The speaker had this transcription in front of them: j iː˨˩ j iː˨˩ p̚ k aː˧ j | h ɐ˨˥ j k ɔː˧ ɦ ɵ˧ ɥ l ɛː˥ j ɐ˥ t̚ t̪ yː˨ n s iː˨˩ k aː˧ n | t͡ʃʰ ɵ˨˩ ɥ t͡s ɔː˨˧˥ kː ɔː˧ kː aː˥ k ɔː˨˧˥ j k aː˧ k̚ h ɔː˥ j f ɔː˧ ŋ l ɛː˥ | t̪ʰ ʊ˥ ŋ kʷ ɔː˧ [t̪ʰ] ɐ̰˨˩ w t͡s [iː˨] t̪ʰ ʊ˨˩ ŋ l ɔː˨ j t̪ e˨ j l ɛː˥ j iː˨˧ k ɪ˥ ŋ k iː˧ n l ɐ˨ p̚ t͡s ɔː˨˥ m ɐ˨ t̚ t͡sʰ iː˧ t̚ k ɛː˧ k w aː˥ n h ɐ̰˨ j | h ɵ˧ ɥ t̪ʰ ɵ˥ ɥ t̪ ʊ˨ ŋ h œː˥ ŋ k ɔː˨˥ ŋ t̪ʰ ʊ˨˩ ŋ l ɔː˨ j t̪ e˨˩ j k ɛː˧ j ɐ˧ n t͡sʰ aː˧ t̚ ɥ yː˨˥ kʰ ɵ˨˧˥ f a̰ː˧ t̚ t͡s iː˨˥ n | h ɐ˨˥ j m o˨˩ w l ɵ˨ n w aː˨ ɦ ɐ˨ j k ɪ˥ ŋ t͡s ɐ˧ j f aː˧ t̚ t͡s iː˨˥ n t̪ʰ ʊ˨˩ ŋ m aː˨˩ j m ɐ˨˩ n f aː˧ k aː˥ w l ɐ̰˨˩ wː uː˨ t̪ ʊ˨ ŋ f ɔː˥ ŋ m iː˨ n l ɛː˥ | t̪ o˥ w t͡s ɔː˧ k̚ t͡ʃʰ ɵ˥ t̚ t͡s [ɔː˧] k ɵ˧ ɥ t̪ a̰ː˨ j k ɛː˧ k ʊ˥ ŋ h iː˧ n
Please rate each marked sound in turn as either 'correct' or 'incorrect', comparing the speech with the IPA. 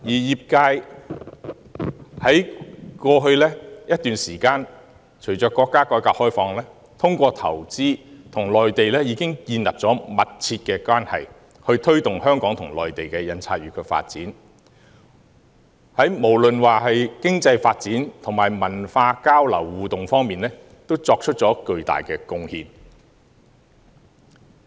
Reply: correct, incorrect, incorrect

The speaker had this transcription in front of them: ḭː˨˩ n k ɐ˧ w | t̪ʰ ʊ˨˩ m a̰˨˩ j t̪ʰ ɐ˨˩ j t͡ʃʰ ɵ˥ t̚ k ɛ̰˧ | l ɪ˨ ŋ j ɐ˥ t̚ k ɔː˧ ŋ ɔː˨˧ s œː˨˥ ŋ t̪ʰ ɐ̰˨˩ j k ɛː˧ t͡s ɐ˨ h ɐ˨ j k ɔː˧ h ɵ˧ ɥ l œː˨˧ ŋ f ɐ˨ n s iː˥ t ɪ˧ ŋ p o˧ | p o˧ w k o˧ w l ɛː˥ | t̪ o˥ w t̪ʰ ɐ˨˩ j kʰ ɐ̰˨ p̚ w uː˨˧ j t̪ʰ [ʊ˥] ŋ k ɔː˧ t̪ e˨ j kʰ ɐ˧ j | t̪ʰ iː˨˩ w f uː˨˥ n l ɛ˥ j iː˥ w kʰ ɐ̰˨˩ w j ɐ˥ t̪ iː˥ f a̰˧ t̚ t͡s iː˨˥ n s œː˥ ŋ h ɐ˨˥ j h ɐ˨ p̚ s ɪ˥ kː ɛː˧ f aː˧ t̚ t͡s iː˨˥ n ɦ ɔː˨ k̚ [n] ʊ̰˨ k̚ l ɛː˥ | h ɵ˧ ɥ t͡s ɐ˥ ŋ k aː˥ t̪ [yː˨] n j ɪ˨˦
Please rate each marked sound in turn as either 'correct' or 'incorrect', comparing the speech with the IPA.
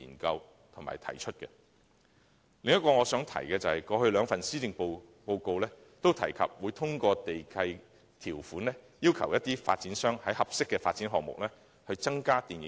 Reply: correct, incorrect, incorrect

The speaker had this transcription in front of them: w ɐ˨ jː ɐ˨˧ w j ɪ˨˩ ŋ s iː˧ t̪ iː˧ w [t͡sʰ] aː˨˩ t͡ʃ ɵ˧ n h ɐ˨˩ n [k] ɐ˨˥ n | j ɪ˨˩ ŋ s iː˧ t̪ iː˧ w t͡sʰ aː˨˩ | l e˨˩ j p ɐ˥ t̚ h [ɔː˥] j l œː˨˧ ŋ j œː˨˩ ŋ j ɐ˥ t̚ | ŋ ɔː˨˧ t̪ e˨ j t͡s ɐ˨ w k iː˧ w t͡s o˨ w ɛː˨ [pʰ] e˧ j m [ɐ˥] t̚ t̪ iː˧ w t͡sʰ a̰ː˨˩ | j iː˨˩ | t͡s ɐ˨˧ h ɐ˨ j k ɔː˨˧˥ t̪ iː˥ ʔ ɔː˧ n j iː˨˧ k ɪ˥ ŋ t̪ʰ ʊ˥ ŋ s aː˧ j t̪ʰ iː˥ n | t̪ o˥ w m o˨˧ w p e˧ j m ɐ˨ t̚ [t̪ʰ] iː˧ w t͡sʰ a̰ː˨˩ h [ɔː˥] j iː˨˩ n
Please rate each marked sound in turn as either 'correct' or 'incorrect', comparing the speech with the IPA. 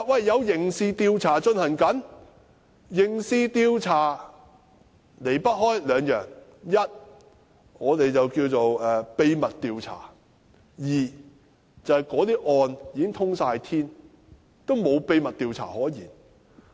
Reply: correct, correct, correct, incorrect, incorrect, incorrect, incorrect

